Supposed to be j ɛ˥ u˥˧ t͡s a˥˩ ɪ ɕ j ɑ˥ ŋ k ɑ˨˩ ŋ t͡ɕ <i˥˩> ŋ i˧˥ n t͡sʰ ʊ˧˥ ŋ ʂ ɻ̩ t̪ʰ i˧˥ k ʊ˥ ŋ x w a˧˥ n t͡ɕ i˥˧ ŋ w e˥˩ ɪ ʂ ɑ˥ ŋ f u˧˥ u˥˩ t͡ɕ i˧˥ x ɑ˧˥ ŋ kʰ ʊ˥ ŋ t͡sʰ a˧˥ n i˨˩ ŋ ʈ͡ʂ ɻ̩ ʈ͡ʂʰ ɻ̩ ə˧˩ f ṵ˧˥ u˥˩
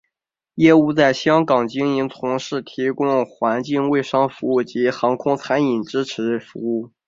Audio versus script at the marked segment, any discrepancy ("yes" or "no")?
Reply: yes